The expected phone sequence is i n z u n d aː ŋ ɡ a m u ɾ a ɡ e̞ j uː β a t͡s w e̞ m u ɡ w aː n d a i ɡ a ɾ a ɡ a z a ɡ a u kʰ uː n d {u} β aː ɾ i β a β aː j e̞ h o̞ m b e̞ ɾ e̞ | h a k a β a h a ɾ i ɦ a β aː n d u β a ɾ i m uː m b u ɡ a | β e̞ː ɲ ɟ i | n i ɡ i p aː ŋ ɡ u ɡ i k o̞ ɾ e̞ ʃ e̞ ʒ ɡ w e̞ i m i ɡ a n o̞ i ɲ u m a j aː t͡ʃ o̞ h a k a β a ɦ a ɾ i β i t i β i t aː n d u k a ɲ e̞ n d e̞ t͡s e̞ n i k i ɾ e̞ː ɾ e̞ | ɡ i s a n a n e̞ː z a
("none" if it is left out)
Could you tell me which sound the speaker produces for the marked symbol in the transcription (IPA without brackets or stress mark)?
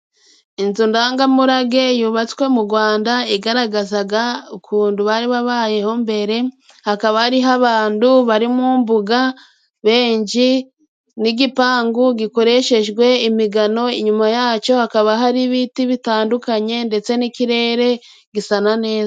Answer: u